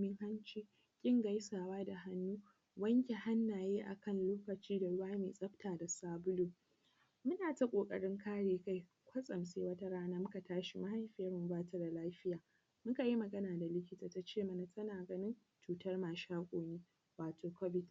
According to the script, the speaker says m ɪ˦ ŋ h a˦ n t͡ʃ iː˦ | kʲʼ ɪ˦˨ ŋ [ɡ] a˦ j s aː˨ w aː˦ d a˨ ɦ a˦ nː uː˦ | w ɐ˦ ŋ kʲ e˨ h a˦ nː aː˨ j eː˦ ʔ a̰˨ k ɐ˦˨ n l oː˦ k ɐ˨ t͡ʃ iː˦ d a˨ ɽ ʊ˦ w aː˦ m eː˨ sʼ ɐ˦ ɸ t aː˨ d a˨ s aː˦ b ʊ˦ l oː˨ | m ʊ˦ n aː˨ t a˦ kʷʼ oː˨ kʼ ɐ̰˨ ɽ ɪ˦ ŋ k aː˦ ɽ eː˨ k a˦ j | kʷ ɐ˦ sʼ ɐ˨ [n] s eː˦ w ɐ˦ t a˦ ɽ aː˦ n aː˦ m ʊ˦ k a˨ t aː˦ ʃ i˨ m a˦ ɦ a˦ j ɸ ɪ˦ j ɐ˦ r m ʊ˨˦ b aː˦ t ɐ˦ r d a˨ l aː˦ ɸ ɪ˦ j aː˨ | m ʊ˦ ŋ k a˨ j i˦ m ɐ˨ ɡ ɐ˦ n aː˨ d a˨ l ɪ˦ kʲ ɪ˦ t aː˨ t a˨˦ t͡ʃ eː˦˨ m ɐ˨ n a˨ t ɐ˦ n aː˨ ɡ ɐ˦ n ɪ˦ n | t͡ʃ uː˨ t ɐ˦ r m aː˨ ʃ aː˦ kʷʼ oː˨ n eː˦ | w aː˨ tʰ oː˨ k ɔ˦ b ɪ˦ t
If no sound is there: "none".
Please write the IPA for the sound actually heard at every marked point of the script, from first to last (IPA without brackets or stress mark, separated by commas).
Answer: ɡ, m